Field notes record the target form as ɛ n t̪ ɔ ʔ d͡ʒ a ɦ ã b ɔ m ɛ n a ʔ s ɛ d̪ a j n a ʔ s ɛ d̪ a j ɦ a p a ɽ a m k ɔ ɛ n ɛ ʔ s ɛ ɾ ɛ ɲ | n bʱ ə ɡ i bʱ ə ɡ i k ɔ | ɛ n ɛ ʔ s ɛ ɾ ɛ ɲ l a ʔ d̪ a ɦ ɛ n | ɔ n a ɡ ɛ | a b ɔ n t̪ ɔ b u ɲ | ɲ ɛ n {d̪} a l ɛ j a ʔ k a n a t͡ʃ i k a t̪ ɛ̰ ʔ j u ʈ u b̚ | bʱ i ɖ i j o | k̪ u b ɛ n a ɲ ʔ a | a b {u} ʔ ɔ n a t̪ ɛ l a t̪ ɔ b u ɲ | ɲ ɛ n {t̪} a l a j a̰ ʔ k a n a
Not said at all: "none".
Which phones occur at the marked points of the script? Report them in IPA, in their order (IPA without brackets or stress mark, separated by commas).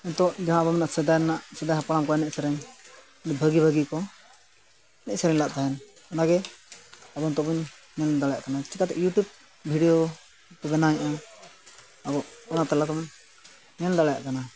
d̪, ɔ, d̪